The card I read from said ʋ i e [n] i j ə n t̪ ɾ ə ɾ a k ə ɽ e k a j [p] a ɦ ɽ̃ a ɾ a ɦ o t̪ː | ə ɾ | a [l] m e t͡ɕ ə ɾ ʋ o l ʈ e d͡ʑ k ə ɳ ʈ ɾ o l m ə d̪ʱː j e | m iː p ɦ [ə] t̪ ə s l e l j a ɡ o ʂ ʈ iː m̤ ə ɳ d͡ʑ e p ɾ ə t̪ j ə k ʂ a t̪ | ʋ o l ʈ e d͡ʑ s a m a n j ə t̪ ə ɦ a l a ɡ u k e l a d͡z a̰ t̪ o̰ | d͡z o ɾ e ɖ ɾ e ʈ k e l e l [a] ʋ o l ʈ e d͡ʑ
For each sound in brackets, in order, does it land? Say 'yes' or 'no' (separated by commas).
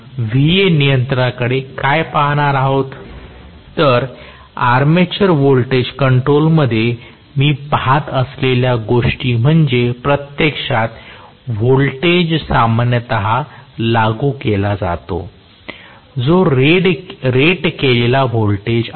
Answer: yes, yes, no, no, yes